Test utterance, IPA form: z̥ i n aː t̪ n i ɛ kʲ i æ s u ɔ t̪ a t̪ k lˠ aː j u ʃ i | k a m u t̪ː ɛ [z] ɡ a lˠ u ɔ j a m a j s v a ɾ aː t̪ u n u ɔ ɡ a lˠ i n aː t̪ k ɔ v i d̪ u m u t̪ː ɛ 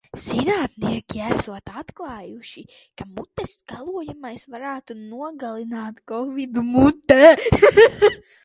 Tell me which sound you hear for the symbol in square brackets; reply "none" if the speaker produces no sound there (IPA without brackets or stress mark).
s